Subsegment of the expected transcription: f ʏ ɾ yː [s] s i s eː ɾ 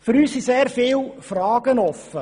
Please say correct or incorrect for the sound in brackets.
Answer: correct